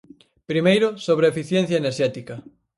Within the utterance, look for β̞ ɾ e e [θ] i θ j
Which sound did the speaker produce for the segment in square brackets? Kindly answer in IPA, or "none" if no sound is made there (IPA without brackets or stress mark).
f